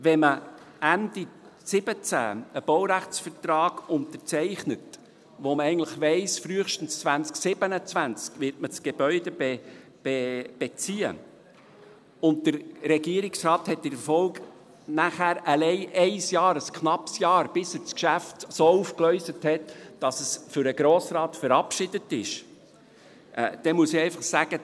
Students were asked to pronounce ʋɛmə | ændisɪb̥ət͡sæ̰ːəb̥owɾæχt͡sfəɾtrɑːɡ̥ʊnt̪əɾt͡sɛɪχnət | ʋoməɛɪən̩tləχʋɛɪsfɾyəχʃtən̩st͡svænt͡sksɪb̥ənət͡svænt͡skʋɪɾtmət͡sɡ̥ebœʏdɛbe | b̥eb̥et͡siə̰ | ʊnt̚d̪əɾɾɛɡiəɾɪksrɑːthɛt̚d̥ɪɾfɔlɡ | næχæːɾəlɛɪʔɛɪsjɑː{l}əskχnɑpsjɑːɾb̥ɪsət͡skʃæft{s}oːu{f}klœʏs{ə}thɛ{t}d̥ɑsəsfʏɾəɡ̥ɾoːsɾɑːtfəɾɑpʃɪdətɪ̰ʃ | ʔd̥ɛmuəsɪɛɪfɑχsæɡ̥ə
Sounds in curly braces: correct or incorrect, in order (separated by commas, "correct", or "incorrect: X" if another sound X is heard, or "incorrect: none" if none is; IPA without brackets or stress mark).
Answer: incorrect: ɾ, correct, correct, correct, correct